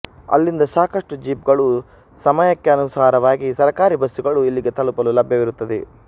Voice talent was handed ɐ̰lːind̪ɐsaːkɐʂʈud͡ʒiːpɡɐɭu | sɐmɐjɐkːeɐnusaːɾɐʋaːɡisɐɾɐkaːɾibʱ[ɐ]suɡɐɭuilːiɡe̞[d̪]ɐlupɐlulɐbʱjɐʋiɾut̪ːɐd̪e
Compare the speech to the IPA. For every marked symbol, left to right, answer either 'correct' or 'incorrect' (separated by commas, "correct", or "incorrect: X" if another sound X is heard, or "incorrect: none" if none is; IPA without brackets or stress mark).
correct, incorrect: t̪